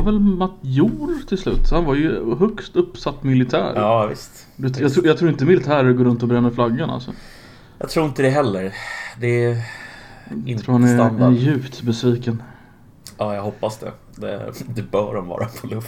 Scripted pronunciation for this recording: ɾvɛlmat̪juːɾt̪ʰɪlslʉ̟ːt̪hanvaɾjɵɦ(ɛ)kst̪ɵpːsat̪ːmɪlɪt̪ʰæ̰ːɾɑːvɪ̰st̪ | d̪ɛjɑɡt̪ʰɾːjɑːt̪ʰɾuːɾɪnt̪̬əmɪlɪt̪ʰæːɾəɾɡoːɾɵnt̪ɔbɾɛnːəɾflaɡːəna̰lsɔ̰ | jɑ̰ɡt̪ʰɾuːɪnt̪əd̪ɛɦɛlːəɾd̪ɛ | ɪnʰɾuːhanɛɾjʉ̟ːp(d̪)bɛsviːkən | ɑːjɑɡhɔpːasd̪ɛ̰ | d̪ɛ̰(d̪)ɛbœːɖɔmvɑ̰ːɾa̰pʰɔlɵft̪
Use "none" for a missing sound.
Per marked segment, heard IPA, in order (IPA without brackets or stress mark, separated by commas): œ, t̪, d̪